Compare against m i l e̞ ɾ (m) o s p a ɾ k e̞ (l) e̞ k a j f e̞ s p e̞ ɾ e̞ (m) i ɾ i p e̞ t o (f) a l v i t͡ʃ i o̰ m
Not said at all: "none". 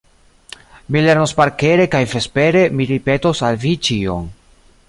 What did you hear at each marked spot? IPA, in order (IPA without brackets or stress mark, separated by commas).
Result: n, ɾ, m, s